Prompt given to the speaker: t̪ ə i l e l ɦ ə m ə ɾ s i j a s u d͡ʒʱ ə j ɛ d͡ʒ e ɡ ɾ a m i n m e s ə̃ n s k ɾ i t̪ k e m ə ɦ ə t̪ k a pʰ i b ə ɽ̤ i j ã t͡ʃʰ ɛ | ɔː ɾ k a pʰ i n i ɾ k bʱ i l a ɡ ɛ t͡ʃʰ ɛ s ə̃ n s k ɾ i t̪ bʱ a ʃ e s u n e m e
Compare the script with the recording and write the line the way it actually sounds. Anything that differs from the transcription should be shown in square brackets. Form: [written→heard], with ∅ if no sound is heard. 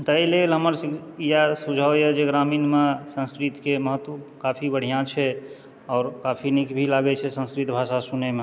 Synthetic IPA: t̪ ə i l e l ɦ ə m ə ɾ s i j a s u d͡ʒʱ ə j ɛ d͡ʒ e ɡ ɾ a m i n m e s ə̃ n s k ɾ i t̪ k e m ə ɦ ə t̪ k a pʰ i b ə ɽ̤ i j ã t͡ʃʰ ɛ | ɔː ɾ k a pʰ i n i [ɾ→∅] k bʱ i l a ɡ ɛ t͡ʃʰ ɛ s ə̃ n s k ɾ i t̪ bʱ a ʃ [e→a] s u n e m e